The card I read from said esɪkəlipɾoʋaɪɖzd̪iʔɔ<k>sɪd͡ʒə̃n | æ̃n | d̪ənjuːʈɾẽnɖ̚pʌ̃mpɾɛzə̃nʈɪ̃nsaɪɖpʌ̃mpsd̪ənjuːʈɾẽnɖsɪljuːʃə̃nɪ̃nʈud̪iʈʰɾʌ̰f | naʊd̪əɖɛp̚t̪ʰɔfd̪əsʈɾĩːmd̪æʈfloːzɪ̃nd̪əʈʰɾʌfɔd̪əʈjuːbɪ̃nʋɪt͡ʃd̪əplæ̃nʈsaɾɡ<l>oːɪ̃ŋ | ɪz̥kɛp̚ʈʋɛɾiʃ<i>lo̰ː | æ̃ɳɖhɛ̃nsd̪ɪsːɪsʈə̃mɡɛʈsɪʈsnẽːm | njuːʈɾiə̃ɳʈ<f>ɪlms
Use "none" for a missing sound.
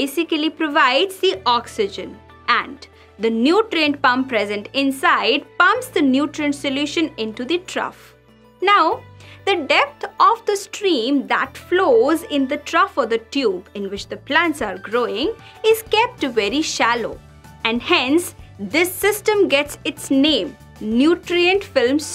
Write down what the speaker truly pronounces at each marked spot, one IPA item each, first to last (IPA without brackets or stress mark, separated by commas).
k, ɾ, æ, f